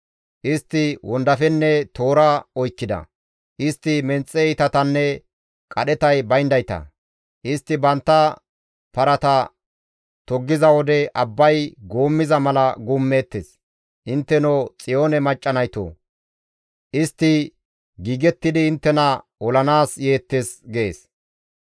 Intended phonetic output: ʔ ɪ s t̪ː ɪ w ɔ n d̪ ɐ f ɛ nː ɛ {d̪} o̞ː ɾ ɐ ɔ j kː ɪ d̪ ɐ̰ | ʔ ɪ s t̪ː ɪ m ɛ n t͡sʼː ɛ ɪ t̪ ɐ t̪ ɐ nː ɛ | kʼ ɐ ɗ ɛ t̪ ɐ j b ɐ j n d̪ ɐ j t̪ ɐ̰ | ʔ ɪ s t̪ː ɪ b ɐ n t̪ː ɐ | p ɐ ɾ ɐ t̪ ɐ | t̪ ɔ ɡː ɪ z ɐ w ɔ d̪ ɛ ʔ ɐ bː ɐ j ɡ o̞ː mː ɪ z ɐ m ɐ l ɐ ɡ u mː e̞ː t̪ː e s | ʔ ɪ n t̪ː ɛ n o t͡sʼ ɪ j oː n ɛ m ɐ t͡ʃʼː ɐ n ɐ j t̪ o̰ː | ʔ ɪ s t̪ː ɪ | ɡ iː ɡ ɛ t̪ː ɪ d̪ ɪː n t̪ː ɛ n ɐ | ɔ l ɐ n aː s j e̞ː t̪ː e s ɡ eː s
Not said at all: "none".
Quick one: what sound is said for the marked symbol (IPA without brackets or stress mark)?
t̪